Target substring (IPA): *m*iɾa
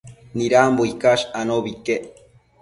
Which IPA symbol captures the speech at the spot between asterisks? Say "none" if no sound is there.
n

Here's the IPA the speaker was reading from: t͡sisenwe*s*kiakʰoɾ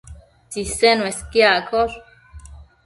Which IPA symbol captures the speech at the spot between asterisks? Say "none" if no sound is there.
s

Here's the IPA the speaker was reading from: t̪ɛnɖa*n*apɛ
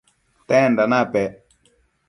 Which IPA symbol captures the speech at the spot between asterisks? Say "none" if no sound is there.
n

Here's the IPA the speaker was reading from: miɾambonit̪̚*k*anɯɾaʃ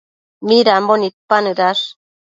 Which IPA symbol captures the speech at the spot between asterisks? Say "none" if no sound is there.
p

